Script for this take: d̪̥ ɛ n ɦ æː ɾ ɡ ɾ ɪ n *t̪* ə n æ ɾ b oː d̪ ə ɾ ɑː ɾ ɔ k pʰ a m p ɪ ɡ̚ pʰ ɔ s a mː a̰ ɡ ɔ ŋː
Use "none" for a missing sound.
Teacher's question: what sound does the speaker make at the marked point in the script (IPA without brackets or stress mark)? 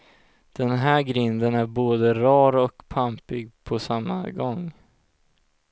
d̪